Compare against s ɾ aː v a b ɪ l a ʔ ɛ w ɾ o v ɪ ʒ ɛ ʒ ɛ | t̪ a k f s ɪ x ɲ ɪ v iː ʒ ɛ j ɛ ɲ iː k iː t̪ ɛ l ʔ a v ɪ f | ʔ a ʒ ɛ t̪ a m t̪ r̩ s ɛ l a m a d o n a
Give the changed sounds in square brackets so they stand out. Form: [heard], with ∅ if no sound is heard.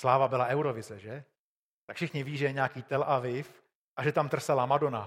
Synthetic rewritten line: s [l] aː v a b ɪ l a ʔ ɛ w ɾ o v ɪ [z] ɛ ʒ ɛ | t̪ a k f [ʃ] ɪ x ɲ ɪ v iː ʒ ɛ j ɛ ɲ [aː] k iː t̪ ɛ l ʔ a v ɪ f | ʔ a ʒ ɛ t̪ a m t̪ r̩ s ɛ l a m a d o n a